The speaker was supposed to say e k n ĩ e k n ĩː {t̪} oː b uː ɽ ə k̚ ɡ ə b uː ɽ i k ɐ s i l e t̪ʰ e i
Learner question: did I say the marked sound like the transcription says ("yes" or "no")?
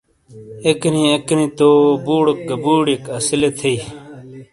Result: yes